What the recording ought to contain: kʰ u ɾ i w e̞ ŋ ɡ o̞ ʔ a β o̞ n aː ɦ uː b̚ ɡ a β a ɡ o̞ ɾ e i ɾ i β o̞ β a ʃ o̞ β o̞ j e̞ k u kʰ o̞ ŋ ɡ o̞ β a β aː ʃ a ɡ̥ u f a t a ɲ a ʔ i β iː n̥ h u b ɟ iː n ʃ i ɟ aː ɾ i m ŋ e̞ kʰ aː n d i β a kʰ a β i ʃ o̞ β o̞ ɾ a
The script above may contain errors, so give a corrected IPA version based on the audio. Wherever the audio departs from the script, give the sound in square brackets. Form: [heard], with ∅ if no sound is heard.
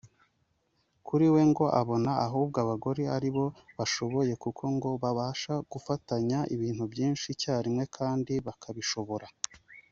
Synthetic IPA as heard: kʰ u ɾ i w e̞ ŋ ɡ o̞ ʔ a β o̞ n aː ɦ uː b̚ ɡ a β a ɡ o̞ ɾ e [a] ɾ i β o̞ β a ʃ o̞ β o̞ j e̞ k u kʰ o̞ ŋ ɡ o̞ β a β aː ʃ a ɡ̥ u f a t a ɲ a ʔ i β iː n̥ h u b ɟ iː n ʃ i [c] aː ɾ i m ŋ e̞ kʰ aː n d i β a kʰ a β i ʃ o̞ β o̞ ɾ a